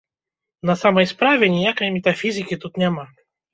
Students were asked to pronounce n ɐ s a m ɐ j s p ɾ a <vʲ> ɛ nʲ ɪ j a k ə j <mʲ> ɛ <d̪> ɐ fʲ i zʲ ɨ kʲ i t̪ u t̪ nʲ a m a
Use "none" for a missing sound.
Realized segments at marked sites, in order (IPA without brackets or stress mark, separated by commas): vʲ, mʲ, t̪